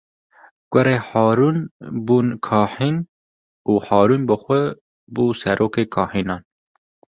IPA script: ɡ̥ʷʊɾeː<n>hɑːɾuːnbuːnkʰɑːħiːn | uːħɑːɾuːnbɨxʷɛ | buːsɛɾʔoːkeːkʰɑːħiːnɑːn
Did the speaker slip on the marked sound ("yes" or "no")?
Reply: yes